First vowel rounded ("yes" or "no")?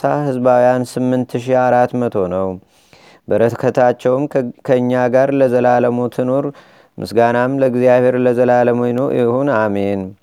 no